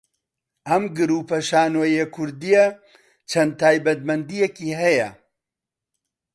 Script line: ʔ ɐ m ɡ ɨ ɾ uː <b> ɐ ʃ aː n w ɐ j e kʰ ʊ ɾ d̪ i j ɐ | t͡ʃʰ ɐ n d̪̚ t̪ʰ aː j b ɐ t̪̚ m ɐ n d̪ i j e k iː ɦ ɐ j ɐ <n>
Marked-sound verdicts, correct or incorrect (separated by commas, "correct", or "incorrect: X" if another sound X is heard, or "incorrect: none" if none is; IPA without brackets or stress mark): incorrect: p, incorrect: none